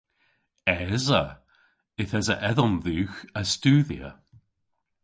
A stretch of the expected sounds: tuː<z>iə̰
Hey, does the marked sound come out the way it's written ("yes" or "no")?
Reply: no